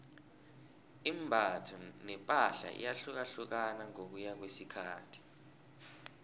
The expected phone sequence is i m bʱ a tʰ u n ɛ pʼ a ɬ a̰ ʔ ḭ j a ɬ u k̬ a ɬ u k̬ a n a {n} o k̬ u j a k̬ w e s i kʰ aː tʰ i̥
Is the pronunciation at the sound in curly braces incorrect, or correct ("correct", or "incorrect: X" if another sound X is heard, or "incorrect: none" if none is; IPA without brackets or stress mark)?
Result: incorrect: ŋ